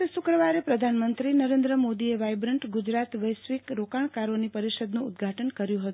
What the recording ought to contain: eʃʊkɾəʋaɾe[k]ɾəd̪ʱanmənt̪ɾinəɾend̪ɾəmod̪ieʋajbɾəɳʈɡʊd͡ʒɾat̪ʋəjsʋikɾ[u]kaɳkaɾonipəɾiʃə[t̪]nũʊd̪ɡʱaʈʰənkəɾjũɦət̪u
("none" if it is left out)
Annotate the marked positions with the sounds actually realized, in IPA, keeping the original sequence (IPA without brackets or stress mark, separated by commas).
p, o, d̪